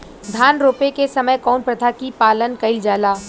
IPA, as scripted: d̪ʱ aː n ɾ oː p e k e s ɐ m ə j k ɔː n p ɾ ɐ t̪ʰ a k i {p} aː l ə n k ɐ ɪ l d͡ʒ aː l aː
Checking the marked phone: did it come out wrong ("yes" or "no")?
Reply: no